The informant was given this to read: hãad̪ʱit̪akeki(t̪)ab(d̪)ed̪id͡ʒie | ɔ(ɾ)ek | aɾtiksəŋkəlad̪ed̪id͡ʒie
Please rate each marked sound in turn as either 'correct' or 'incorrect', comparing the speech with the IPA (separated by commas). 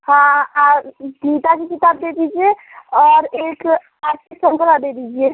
correct, correct, correct